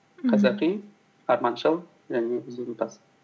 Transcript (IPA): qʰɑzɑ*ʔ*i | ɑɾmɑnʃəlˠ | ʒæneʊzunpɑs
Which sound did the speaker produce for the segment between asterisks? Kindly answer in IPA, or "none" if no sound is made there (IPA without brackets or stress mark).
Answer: q